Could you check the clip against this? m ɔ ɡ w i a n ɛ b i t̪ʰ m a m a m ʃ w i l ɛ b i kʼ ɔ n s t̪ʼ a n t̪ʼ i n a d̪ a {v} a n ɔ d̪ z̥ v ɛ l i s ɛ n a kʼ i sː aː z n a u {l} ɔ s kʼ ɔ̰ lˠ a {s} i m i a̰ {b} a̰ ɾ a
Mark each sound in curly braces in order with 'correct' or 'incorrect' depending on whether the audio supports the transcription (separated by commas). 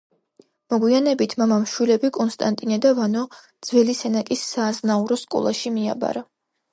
correct, incorrect, incorrect, correct